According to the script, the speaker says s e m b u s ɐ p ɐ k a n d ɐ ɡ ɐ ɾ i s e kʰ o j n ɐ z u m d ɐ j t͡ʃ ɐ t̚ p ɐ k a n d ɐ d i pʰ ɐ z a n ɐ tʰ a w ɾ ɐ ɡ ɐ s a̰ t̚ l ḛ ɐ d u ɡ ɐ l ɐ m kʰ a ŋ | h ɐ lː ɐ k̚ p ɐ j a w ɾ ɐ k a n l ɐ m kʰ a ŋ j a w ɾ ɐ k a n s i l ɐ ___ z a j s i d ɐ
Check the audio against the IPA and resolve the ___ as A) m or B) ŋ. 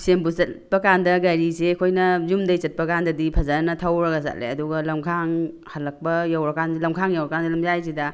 A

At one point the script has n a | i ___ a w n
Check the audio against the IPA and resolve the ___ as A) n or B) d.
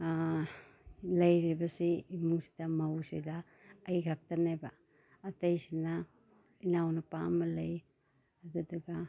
A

